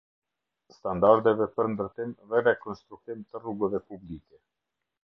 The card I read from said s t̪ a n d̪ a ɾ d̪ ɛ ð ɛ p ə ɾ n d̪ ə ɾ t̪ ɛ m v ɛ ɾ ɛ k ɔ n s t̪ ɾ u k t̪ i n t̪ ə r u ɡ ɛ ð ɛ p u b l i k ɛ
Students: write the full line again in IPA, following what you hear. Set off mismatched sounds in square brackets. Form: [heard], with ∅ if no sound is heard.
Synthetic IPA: s t̪ a n d̪ a ɾ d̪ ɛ [v] ɛ p ə ɾ n d̪ ə ɾ t̪ [i] m v ɛ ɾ ɛ k ɔ n s t̪ ɾ u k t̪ i [m] t̪ ə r u ɡ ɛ [v] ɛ p u b l i k ɛ